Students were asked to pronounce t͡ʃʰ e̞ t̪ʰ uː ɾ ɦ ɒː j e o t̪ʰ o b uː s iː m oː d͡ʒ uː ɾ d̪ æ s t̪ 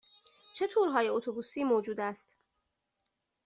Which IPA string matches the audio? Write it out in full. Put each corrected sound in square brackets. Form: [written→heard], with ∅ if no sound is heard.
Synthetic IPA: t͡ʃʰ e̞ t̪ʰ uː ɾ ɦ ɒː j e o t̪ʰ o b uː s iː m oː d͡ʒ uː [ɾ→∅] d̪ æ s t̪